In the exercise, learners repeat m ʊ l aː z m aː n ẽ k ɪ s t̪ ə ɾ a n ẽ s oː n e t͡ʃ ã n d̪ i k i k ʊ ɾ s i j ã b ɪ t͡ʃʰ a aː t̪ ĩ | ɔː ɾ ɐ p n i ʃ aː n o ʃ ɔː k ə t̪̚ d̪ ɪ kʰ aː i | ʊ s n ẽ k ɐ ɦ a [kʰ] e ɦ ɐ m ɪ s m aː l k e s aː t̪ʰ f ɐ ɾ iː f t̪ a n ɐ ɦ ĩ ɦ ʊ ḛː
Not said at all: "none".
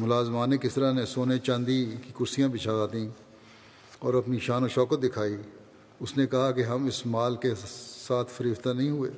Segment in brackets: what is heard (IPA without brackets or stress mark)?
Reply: k